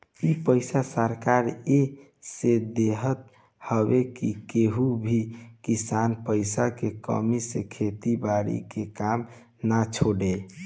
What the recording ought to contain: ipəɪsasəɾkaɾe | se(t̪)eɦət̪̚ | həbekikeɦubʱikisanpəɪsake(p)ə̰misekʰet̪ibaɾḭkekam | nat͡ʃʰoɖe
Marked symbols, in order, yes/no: no, no

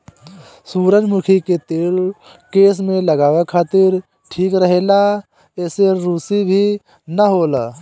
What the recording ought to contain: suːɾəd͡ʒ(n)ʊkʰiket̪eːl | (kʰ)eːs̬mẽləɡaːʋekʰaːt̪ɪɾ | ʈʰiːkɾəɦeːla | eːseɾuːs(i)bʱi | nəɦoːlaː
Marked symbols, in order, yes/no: no, no, yes

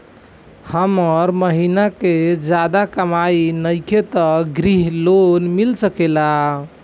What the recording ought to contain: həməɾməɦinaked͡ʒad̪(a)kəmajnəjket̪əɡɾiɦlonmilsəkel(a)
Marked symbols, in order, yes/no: yes, yes

